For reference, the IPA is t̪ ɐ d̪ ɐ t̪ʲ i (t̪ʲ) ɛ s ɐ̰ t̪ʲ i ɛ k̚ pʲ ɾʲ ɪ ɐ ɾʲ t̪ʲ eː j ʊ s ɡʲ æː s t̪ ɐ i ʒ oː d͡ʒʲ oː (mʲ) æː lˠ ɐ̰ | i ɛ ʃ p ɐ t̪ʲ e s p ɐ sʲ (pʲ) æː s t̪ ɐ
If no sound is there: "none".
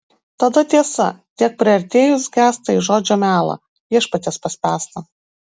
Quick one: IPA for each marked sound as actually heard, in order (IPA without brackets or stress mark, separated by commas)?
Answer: none, mʲ, pʲ